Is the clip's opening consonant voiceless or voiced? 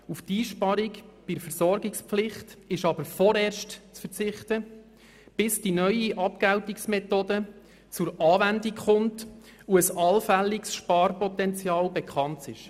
voiceless